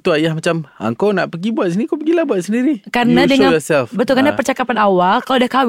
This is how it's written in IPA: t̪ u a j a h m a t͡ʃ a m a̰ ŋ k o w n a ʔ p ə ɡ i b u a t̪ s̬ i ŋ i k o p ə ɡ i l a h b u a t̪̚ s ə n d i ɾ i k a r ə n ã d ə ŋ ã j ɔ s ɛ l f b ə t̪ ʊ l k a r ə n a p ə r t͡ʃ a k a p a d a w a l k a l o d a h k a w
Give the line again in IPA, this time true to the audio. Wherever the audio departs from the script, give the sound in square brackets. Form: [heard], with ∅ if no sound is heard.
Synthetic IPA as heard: t̪ u a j a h m a t͡ʃ a m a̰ ŋ k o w n a ʔ p ə ɡ i b u a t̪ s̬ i [n] i k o p ə ɡ i l a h b u a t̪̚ s ə n d i ɾ i k a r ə n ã d ə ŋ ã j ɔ s ɛ l f b ə t̪ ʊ l k a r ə n a p ə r t͡ʃ a k a p a [n] a w a l k a l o d a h k a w